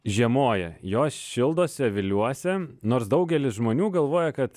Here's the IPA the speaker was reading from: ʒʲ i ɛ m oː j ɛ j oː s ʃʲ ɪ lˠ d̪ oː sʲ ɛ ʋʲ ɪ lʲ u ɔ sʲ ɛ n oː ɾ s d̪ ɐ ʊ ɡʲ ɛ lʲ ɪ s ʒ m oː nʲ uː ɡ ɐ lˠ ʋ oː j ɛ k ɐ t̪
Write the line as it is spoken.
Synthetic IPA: ʒʲ i ɛ m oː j ɛ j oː s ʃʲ ɪ lˠ d̪ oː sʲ ɛ ʋʲ ɪ lʲ u ɔ sʲ ɛ n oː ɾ s d̪ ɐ ʊ ɡʲ ɛ lʲ ɪ s ʒ m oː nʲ uː ɡ ɐ lˠ ʋ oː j ɛ k ɐ t̪